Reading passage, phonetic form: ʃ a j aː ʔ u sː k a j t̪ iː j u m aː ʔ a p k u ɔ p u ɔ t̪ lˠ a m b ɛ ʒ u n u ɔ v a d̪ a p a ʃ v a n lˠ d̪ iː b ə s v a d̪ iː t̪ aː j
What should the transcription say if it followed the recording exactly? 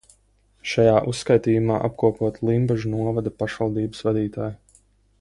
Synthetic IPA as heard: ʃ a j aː ʔ u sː k a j t̪ iː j u m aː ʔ a p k u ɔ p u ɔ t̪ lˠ i m b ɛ ʒ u n u ɔ v a d̪ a p a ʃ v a lˠ d̪ iː b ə s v a d̪ iː t̪ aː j